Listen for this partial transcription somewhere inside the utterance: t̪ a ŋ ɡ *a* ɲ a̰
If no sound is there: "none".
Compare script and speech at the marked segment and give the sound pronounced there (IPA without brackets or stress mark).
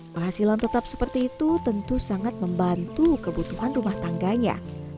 a